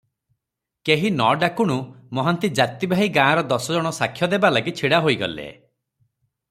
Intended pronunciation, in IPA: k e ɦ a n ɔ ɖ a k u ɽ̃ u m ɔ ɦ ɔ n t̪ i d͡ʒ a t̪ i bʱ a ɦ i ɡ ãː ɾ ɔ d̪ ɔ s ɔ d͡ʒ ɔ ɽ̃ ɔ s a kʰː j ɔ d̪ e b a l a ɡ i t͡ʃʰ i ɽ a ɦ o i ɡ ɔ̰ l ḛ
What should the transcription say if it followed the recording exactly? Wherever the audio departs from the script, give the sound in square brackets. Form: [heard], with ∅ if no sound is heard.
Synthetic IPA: k e ɦ [i] n ɔ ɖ a k u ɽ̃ u m ɔ ɦ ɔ n t̪ i d͡ʒ a t̪ i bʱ a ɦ i ɡ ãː ɾ ɔ d̪ ɔ s ɔ d͡ʒ ɔ ɽ̃ ɔ s a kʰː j ɔ d̪ e b a l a ɡ i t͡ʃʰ i ɽ a ɦ o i ɡ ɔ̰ l ḛ